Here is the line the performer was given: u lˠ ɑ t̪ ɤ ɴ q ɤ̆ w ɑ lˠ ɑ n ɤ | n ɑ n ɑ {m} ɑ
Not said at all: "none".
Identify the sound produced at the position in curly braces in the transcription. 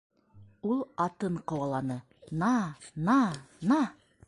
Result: n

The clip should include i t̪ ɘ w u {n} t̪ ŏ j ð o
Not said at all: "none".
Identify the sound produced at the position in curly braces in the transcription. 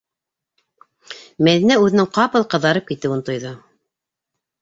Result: n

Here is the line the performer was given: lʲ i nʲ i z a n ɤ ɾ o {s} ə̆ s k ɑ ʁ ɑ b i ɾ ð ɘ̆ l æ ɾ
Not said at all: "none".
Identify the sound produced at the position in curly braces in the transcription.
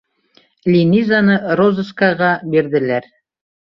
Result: z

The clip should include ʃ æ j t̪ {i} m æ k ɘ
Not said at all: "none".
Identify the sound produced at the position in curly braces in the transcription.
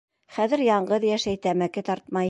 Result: æ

